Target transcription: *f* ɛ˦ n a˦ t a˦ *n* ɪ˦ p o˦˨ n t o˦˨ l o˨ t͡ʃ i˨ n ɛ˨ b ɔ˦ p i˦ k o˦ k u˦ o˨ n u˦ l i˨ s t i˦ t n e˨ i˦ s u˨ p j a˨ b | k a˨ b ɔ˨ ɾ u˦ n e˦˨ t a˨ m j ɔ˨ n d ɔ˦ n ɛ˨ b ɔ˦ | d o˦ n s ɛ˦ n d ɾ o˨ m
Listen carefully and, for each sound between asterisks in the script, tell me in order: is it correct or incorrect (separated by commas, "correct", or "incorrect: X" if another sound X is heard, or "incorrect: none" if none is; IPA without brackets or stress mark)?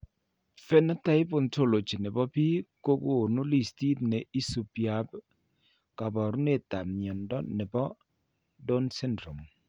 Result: correct, incorrect: none